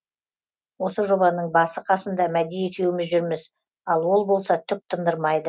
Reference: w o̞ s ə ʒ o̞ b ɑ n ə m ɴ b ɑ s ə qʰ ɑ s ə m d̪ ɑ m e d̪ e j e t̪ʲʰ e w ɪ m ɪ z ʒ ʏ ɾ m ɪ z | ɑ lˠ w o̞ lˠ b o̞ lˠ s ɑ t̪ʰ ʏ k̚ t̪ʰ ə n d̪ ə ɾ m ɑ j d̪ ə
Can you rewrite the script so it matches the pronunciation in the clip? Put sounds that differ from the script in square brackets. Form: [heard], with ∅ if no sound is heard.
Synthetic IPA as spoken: w o̞ s ə ʒ o̞ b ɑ n ə [∅] ɴ b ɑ s ə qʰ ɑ s ə [n] d̪ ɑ m [æ] d̪ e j e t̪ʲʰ e w ɪ m ɪ z ʒ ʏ ɾ m ɪ z | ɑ lˠ w o̞ lˠ b o̞ lˠ s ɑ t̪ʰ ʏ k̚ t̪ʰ ə n d̪ ə ɾ m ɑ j d̪ ə